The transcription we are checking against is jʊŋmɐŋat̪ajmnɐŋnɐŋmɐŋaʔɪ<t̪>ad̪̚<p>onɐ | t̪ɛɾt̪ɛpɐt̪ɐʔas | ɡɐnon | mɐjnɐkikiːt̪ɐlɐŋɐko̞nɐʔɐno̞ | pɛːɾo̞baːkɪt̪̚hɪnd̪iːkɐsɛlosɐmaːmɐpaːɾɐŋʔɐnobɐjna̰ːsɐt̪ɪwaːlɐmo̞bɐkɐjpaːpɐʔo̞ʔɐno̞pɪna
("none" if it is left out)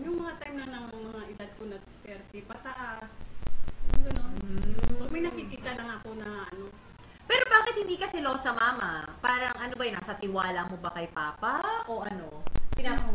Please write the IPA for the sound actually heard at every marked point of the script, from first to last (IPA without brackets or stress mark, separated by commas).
d̪, k